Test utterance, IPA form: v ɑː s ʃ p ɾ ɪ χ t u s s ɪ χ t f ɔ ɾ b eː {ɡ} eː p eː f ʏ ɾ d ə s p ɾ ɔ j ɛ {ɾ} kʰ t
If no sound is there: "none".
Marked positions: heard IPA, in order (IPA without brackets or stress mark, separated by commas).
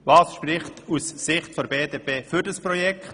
d, none